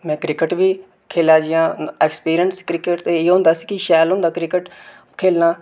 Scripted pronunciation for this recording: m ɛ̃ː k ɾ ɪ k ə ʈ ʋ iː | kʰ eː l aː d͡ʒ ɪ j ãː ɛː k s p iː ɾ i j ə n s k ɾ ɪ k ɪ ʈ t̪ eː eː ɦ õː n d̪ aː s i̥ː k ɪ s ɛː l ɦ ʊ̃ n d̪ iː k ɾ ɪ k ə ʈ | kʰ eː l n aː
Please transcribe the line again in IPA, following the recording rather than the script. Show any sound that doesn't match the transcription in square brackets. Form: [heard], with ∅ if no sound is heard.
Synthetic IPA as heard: m ɛ̃ː k ɾ ɪ k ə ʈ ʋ iː | kʰ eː l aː d͡ʒ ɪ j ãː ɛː k s p iː ɾ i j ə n s k ɾ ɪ k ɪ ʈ t̪ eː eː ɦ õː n d̪ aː s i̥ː k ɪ [ʃ] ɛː l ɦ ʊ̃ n d̪ [aː] k ɾ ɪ k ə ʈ | kʰ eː l n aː